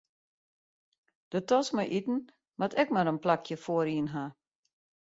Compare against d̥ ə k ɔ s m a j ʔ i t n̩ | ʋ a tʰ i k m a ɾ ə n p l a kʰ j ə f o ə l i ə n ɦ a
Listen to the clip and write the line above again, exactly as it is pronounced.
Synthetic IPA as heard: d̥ ə t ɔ s m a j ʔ i t n̩ | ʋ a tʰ ɛ k m a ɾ ə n p l a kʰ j ə f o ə ɾ i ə n ɦ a